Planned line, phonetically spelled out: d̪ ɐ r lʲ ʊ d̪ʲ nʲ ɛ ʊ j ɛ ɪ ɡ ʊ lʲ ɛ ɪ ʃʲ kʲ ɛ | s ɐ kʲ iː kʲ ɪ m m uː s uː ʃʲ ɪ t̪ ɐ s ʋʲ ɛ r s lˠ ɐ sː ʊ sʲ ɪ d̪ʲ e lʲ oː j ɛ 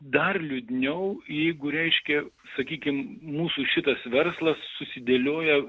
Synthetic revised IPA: d̪ ɐ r lʲ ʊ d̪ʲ nʲ ɛ ʊ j ɛ ɪ ɡ ʊ ɾʲ ɛ ɪ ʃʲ kʲ ɛ | s ɐ kʲ iː kʲ ɪ m m uː s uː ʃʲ ɪ t̪ ɐ s ʋʲ ɛ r s lˠ ɐ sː ʊ sʲ ɪ d̪ʲ e lʲ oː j ɛ